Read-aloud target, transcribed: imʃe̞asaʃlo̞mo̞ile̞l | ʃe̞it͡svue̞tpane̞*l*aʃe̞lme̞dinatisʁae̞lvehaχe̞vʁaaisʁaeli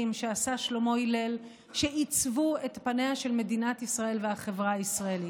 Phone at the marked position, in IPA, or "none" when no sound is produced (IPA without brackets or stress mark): none